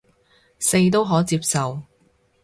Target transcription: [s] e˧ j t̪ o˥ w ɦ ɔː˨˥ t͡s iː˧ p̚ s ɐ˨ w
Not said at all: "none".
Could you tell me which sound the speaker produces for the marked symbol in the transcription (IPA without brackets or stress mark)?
s